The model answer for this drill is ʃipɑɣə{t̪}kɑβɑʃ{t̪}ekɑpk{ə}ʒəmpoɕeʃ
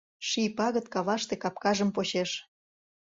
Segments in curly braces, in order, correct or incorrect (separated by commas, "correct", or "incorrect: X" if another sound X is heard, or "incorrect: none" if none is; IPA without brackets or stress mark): correct, correct, incorrect: ɑ